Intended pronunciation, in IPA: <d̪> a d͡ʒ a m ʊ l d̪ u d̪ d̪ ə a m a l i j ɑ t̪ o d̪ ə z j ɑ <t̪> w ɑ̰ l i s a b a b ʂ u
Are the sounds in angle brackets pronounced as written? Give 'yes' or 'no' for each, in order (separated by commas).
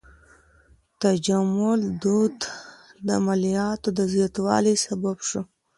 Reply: no, yes